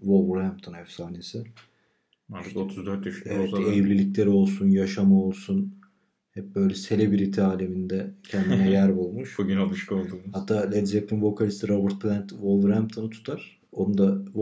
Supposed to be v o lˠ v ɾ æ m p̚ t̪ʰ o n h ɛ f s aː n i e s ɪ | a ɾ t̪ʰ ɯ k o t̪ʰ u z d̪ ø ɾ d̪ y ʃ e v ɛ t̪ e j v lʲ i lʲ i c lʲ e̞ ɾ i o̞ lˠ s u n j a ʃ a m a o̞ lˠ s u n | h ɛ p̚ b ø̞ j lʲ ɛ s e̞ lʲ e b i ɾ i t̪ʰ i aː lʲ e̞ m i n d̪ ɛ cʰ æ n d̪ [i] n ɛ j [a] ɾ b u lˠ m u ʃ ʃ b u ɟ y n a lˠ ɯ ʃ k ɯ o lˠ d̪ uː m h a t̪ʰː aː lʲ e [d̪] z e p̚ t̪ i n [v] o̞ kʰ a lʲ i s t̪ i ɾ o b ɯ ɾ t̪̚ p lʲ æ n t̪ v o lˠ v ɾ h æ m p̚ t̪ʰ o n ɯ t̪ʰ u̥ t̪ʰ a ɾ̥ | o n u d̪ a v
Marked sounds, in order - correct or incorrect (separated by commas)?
correct, incorrect, correct, correct